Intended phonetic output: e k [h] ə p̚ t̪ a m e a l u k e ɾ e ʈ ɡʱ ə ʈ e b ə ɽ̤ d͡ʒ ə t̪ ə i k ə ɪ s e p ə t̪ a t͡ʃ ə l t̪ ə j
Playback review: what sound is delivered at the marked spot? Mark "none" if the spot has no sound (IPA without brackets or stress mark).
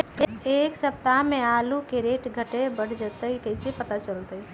s